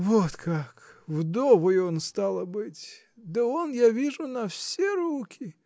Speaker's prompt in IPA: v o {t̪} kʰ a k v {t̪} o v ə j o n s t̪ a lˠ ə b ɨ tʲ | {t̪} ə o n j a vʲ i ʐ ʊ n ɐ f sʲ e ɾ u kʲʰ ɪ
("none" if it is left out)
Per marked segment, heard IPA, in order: t̪, d̪, d̪

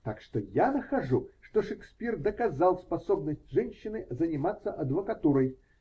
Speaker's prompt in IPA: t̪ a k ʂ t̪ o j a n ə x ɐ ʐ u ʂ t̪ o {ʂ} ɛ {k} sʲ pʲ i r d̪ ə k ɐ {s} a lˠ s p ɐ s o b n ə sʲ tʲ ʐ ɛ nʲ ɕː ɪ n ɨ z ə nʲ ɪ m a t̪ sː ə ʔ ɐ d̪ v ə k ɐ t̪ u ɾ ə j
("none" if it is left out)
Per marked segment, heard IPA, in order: ʂ, k, z

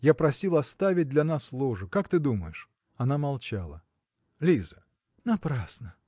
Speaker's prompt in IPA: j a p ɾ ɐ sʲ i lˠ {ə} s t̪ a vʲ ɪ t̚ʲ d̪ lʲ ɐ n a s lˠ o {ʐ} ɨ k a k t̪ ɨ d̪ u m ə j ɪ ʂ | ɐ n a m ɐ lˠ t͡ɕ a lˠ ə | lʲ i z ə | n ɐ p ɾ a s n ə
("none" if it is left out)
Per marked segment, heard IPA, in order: ɐ, ʐ

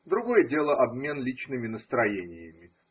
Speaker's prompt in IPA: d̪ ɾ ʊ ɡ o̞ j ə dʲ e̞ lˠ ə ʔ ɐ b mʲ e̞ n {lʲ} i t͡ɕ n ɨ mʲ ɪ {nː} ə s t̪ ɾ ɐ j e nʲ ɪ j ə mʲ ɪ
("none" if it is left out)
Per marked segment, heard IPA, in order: lʲ, n

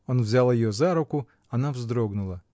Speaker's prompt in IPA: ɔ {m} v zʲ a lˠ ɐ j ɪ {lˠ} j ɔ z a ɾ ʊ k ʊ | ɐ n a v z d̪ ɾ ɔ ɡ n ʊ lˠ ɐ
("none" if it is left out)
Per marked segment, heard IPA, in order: n, none

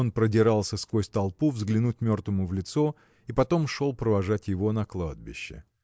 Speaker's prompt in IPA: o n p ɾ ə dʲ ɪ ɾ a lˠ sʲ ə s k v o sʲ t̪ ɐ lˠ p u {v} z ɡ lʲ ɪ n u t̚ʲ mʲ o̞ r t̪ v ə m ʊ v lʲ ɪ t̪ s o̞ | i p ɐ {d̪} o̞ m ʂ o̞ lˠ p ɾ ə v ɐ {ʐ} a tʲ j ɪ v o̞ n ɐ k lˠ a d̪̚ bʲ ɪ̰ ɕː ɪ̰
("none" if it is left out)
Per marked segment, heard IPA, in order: v, t̪, ʐ

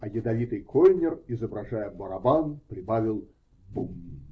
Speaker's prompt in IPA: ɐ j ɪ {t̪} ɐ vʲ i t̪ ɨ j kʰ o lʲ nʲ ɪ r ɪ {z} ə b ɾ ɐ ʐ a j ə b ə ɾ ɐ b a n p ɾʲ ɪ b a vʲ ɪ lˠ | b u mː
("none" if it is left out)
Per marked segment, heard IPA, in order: d̪, z

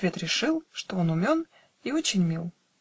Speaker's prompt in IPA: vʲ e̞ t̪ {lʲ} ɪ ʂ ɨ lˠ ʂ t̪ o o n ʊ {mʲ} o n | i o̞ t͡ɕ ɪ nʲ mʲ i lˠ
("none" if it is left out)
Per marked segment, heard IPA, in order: ɾʲ, mʲ

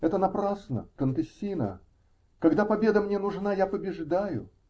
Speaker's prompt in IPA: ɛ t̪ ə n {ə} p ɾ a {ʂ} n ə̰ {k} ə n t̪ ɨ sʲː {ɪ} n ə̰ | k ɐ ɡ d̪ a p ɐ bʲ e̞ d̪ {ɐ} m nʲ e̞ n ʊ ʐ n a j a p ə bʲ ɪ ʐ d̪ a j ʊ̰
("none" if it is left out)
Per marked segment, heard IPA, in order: ɐ, s, k, i, ə

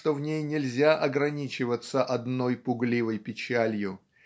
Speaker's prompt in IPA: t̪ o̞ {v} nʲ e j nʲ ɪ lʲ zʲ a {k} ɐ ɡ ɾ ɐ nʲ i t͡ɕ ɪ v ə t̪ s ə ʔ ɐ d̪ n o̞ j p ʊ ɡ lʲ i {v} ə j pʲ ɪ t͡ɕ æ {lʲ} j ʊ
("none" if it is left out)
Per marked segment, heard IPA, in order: v, ʔ, v, lʲ

